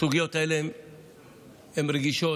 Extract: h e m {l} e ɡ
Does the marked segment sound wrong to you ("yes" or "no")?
yes